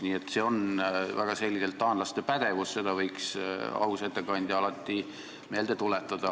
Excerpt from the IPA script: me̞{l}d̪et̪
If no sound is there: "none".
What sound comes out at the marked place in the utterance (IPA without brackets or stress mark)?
l